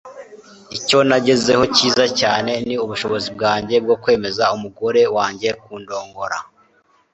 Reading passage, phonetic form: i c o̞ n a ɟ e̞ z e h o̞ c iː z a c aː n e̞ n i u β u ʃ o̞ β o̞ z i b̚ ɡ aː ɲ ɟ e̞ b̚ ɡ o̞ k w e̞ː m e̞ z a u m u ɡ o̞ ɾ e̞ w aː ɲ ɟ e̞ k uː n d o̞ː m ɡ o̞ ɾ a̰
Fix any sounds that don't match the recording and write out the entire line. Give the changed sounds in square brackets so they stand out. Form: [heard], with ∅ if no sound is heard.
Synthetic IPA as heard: i c o̞ n a ɟ e̞ z e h o̞ c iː z a c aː n e̞ n i u β u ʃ o̞ β o̞ z i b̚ ɡ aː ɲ ɟ e̞ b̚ ɡ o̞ k w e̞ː m e̞ z a u m u ɡ o̞ ɾ e̞ w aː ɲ ɟ e̞ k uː n d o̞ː [ŋ] ɡ o̞ ɾ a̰